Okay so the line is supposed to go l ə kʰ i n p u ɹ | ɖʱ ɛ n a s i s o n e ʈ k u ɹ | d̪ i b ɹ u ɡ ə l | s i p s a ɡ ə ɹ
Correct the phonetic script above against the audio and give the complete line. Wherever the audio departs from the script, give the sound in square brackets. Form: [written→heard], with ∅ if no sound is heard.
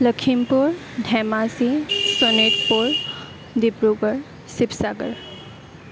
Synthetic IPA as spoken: l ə kʰ i [n→m] p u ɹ | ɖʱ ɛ [n→m] a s i s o n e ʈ [k→p] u ɹ | d̪ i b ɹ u ɡ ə [l→ɹ] | s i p s a ɡ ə ɹ